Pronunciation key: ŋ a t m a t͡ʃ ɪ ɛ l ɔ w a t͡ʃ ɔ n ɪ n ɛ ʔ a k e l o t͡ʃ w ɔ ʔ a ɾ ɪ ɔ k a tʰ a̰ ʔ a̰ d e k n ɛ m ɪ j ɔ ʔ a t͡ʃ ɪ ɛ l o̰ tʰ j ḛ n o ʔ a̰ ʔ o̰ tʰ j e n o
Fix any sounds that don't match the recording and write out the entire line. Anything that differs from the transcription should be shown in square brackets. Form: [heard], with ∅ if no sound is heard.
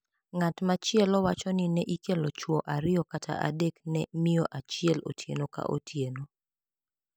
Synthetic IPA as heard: ŋ a t m a t͡ʃ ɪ ɛ l ɔ w a t͡ʃ ɔ n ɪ n ɛ ʔ [i] k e l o t͡ʃ w ɔ ʔ a ɾ ɪ ɔ k a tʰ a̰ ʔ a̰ d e k n ɛ m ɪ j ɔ ʔ a t͡ʃ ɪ ɛ l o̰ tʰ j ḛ n o [k] a̰ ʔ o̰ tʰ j e n o